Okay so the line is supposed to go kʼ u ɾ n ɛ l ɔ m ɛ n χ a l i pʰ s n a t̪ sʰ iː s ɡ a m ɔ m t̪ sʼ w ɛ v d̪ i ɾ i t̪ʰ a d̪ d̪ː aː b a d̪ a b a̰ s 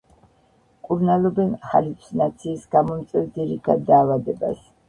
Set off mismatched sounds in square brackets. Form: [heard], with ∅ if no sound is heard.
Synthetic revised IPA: kʼ u ɾ n [a] l ɔ [b] ɛ n χ a l i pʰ s n a t̪ sʰ iː s ɡ a m ɔ m t̪ sʼ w ɛ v d̪ i ɾ i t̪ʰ a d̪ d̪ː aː [v] a d̪ [ɛ] b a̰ s